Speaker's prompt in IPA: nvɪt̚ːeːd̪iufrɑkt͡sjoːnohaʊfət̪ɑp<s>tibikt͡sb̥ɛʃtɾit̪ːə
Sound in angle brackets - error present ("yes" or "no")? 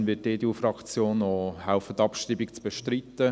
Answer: yes